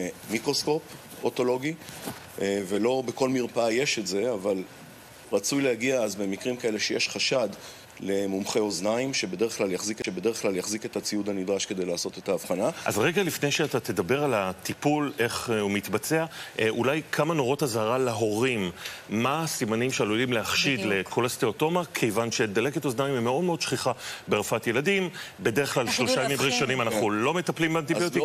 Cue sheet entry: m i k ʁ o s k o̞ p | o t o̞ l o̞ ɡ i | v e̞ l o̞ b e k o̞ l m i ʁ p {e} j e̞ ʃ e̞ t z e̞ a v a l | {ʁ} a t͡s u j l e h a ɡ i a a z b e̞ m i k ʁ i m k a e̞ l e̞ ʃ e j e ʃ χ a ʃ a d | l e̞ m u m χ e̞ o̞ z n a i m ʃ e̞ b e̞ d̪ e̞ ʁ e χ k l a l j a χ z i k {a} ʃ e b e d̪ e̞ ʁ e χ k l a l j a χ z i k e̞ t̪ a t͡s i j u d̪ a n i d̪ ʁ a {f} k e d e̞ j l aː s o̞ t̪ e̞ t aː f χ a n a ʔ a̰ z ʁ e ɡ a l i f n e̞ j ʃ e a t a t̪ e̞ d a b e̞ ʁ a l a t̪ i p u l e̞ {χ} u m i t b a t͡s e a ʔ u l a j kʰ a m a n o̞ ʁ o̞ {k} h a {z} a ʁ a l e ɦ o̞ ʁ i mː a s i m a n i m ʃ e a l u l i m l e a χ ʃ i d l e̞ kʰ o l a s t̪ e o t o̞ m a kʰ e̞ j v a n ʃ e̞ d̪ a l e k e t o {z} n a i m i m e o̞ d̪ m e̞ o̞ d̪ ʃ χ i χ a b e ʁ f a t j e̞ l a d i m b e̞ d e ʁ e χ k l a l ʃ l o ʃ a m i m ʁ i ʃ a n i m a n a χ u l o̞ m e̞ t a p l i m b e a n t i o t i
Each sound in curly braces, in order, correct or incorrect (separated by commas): incorrect, correct, incorrect, incorrect, correct, incorrect, correct, correct